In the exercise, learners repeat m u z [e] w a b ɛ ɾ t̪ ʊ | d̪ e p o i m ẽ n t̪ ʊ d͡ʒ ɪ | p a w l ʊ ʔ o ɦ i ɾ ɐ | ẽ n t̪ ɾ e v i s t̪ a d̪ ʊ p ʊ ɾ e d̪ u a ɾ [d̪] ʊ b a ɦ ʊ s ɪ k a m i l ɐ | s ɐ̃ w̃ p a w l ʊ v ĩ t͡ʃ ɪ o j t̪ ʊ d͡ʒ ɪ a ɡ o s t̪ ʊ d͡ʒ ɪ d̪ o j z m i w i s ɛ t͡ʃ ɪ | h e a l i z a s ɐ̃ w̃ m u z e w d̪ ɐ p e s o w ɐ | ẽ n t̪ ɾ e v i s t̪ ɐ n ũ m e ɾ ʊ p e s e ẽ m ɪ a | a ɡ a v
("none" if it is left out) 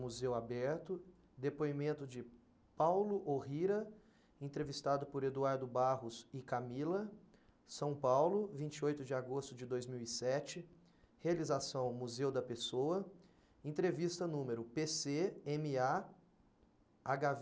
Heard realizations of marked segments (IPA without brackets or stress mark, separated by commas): e, d̪